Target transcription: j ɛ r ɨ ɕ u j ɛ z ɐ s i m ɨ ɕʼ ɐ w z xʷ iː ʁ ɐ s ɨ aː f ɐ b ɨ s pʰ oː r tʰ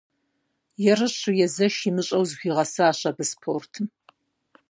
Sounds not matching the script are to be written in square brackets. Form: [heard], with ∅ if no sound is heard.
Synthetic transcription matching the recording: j ɛ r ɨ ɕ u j ɛ z ɐ [ʃ] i m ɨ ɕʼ ɐ w z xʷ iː ʁ ɐ s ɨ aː [ɕ] ɐ b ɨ s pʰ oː r tʰ